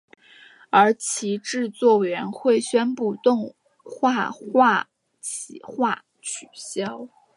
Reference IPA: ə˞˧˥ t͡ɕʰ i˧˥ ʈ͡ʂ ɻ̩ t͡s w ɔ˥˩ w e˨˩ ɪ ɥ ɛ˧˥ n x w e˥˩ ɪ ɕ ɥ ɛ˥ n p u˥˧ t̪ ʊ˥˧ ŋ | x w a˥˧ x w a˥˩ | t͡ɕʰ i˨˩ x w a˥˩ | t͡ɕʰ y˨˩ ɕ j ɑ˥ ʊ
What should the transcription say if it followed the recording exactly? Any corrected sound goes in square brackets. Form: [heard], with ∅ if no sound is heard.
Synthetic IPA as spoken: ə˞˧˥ t͡ɕʰ i˧˥ ʈ͡ʂ ɻ̩ t͡s w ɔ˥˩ w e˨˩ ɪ ɥ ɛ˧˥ n x w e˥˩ ɪ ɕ ɥ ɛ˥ n p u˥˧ t̪ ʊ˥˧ ŋ | x w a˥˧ x w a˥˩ | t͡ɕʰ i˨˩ x w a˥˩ | t͡ɕʰ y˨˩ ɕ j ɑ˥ ʊ